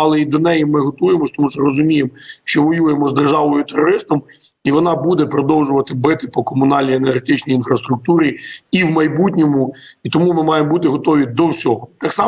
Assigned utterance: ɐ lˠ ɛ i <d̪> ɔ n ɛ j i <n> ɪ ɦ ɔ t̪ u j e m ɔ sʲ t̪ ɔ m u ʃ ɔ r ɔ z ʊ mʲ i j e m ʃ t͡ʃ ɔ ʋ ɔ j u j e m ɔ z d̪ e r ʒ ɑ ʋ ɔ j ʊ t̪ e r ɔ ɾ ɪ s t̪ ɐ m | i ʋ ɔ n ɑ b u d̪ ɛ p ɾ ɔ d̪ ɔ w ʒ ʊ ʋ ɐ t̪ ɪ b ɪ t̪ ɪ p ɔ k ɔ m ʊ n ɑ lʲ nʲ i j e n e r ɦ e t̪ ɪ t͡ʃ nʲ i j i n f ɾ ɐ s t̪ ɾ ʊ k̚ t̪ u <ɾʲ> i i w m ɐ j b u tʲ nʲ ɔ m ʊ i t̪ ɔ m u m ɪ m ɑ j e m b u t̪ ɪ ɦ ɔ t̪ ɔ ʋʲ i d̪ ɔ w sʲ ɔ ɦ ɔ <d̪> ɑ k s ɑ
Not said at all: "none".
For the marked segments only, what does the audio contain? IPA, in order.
d̪, m, ɾʲ, t̪

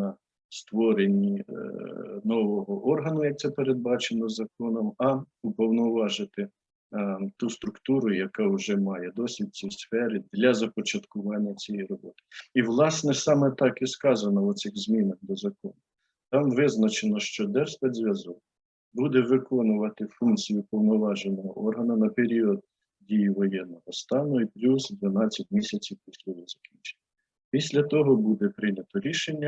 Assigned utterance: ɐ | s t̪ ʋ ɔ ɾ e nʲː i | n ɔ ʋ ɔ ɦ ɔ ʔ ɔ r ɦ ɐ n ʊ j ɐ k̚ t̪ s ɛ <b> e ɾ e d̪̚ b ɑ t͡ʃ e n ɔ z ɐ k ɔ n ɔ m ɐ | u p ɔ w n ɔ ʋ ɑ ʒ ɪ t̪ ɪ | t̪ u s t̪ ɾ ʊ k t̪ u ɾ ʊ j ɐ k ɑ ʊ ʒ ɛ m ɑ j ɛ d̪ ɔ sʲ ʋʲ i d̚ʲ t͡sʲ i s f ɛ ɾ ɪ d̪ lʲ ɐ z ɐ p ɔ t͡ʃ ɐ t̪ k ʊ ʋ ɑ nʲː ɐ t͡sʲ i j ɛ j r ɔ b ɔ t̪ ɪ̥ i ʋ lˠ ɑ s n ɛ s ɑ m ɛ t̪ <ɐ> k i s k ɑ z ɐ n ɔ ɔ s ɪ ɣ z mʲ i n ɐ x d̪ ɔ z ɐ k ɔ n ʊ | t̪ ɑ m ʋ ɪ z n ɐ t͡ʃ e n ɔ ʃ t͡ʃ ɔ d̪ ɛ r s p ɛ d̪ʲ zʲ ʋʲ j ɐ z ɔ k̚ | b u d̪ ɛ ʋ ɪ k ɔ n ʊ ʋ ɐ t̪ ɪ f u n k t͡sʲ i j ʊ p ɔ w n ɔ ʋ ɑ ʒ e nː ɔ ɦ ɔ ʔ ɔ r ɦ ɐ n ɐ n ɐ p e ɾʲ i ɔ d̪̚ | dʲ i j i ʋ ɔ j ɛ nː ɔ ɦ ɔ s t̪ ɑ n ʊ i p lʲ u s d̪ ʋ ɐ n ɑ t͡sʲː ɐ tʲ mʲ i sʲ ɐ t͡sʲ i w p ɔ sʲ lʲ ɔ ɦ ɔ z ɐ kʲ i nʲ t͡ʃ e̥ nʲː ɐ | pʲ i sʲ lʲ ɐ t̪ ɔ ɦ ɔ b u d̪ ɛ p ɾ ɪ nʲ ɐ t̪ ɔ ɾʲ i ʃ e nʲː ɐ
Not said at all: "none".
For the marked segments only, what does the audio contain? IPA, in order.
p, ɑ

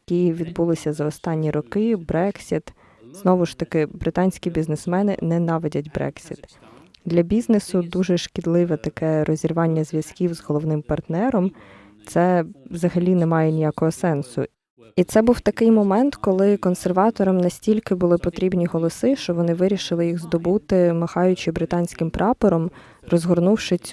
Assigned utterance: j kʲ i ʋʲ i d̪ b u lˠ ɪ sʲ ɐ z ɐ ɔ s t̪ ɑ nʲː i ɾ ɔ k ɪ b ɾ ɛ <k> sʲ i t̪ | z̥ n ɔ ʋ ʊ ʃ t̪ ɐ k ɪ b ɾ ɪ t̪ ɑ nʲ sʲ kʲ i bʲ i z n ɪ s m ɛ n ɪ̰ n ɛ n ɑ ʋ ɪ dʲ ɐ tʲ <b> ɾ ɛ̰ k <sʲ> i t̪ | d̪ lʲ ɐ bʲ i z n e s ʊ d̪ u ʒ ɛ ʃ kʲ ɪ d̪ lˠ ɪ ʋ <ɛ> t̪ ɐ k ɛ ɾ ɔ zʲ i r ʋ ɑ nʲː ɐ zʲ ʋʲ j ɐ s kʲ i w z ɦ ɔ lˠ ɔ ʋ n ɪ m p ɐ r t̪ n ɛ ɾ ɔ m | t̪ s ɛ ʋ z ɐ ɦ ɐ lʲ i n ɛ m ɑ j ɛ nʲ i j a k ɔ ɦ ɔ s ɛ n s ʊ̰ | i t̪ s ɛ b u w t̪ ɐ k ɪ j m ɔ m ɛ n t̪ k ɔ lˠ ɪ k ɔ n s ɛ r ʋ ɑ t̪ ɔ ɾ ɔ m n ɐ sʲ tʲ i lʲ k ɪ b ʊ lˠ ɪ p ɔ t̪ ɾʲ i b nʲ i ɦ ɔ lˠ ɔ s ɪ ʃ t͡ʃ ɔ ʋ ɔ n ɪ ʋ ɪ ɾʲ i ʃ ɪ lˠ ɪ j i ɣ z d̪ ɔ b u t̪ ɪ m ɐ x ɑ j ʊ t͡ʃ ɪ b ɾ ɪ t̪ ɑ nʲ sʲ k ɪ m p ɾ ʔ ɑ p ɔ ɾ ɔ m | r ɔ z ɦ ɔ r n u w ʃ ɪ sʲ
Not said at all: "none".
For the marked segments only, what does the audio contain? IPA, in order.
k, b, sʲ, ɛ

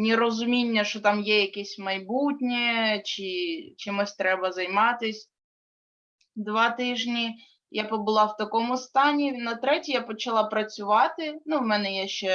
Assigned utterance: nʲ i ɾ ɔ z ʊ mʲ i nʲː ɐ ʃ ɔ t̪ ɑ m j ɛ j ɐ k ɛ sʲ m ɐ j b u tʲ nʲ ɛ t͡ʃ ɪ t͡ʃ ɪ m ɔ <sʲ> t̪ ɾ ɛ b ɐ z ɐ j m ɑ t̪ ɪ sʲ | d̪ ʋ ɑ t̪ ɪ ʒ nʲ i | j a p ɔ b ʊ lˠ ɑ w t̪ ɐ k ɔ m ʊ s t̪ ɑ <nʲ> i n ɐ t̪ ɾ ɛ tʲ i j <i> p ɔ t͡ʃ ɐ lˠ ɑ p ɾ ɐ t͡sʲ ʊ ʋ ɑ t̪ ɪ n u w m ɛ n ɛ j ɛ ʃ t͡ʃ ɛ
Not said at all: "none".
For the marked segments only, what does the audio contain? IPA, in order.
sʲ, nʲ, a

